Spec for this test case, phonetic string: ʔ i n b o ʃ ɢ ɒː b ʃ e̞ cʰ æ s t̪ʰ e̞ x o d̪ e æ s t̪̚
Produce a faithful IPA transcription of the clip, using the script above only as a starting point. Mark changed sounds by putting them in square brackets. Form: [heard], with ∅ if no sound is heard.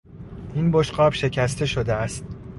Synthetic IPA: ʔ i n b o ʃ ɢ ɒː b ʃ e̞ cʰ æ s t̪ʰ e̞ [ʃ] o d̪ e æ s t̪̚

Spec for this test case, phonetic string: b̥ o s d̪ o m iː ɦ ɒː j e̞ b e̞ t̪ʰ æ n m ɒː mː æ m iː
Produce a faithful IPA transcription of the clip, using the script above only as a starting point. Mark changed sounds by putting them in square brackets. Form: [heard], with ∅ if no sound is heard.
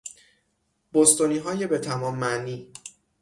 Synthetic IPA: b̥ o s [t̪] o [n] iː ɦ ɒː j e̞ b e̞ t̪ʰ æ [∅] m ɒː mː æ [n] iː

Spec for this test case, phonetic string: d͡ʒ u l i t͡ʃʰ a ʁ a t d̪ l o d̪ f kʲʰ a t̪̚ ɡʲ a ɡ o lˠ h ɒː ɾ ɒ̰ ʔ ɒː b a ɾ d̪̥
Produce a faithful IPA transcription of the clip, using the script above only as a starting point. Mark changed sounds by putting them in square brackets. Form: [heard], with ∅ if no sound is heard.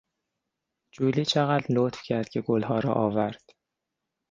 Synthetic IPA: d͡ʒ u l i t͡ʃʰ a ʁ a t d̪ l o [t̪] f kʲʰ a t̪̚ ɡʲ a ɡ o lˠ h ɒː ɾ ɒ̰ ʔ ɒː [v] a ɾ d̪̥

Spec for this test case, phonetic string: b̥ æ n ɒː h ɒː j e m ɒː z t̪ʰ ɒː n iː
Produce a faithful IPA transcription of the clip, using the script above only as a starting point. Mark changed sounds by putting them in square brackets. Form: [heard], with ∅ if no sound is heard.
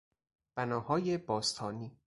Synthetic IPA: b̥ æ n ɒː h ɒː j e [b] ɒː [s] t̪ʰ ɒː n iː

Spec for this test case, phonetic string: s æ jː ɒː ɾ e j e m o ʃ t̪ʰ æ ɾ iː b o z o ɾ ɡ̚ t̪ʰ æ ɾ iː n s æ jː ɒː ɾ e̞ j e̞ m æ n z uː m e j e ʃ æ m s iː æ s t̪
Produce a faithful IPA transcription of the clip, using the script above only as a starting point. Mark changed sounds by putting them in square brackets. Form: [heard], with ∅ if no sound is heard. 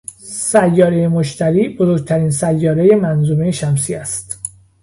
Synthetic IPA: s æ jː ɒː ɾ e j e m o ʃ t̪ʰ æ ɾ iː b o z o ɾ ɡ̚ t̪ʰ æ ɾ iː n s æ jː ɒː ɾ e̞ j e̞ m æ n z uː m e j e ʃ æ m s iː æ s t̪

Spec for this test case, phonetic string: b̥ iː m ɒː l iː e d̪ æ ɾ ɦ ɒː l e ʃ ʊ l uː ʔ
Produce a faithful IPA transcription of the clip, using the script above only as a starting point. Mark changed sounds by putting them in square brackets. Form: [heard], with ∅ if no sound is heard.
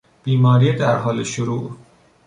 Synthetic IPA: b̥ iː m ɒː [ɾ] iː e d̪ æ ɾ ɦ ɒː l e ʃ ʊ [ɾ] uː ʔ

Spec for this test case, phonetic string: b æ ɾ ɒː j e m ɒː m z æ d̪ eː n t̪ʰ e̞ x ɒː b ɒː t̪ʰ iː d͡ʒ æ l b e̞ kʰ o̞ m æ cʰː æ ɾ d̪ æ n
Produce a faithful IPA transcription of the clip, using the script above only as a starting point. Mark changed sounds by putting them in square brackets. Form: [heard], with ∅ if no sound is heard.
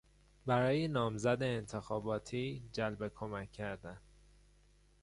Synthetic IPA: b æ ɾ ɒː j e [n] ɒː m z æ d̪ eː n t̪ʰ e̞ x ɒː b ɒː t̪ʰ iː d͡ʒ æ l b e̞ kʰ o̞ m æ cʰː æ ɾ d̪ æ n

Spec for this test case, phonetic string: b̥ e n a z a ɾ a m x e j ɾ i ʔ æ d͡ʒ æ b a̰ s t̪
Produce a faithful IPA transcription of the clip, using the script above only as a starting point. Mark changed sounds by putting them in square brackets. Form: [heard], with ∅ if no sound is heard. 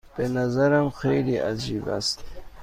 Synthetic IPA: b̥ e n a z a ɾ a m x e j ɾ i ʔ [a] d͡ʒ [i] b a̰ s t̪

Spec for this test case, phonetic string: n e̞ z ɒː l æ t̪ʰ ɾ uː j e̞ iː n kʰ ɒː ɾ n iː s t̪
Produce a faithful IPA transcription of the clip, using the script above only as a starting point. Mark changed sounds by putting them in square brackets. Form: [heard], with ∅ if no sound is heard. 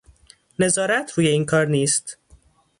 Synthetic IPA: n e̞ z ɒː [ɾ] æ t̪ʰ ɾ uː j e̞ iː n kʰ ɒː ɾ n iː s t̪

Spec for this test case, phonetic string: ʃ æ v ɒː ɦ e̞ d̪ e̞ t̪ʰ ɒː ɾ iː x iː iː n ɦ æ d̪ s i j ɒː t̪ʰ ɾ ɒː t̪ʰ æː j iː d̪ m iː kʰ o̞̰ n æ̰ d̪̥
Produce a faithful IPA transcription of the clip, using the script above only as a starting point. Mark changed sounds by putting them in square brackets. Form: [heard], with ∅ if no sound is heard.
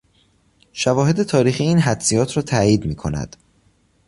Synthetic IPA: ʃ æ v ɒː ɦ e̞ d̪ e̞ t̪ʰ ɒː ɾ iː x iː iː n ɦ æ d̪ s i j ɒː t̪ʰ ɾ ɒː t̪ʰ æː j iː d̪ m iː kʰ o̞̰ n æ̰ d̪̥

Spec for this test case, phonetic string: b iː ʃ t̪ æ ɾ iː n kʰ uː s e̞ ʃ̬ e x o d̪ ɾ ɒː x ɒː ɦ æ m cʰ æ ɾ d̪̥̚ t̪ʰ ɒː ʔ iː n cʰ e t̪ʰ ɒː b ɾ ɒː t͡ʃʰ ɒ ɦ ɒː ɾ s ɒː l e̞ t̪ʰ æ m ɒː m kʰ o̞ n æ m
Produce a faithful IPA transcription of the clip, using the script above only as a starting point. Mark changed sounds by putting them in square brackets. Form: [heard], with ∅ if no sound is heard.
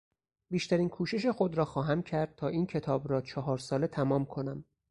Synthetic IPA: b iː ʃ t̪ æ ɾ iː n kʰ uː [ʃ] e̞ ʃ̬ e x o d̪ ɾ ɒː x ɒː ɦ æ m cʰ æ ɾ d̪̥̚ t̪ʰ ɒː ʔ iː n cʰ e t̪ʰ ɒː b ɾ ɒː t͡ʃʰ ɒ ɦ ɒː ɾ s ɒː l e̞ t̪ʰ æ m ɒː m kʰ o̞ n æ m

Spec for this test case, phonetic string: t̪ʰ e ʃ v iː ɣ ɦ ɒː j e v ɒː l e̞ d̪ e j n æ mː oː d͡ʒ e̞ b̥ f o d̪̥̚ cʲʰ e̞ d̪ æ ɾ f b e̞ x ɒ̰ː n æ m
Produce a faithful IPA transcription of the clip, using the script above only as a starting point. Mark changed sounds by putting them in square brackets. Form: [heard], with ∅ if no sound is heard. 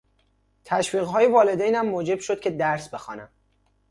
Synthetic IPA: t̪ʰ [æ] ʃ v iː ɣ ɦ ɒː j e v ɒː l e̞ d̪ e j n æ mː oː d͡ʒ e̞ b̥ [ʃ] o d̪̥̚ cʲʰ e̞ d̪ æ ɾ [s] b e̞ x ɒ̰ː n æ m

